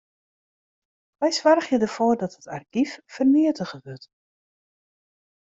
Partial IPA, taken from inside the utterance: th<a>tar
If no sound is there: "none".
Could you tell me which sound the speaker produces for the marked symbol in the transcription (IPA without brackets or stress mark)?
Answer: ə